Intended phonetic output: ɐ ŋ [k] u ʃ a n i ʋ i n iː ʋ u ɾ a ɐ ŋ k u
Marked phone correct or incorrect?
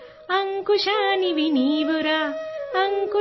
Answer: correct